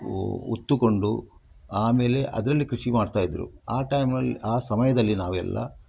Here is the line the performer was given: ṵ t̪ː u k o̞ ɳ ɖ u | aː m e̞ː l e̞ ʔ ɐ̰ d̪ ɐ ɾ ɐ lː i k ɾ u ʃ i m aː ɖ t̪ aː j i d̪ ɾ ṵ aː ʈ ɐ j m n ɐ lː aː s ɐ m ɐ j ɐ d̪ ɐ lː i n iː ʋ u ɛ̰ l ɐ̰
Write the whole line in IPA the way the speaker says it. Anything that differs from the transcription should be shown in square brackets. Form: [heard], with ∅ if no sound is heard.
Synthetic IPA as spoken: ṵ t̪ː u k o̞ ɳ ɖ u | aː m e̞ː l e̞ ʔ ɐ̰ d̪ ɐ ɾ ɐ lː i k ɾ u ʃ i m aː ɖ t̪ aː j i d̪ ɾ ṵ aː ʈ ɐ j m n ɐ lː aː s ɐ m ɐ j ɐ d̪ ɐ lː i n [aː] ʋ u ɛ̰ [lː] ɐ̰